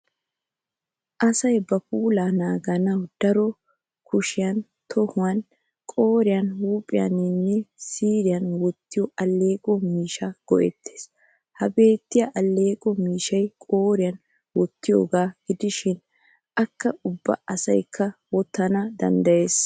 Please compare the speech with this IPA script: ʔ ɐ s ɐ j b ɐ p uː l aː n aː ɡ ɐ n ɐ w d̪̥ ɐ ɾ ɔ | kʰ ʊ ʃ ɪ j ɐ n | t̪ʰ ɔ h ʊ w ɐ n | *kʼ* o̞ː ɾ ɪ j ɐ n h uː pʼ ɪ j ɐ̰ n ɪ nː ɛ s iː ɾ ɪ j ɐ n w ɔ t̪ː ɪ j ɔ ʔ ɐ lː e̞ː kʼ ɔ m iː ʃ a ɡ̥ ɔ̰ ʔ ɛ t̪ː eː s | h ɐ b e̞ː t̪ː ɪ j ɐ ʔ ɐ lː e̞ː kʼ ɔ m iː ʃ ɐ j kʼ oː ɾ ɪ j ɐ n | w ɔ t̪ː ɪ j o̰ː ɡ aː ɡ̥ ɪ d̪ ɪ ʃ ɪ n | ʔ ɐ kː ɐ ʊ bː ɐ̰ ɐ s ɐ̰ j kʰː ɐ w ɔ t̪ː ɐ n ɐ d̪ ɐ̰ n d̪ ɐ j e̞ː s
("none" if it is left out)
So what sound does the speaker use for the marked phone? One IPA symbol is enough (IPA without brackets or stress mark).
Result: kʼ